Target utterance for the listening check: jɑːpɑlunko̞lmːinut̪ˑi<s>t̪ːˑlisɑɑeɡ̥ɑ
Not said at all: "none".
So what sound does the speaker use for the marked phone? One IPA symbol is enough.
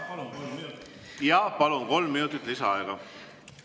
none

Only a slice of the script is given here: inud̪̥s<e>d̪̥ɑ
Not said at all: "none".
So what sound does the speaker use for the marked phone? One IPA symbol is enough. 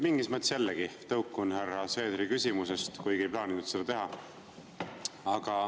e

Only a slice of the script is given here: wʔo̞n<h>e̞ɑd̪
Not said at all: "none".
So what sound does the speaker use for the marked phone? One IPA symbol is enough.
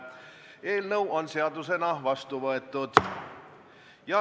s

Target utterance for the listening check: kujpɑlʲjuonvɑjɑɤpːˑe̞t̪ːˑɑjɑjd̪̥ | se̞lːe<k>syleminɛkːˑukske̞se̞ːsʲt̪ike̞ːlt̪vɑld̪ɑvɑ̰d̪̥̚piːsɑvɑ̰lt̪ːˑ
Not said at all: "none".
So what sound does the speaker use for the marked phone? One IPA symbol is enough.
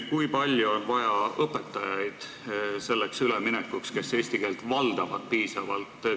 k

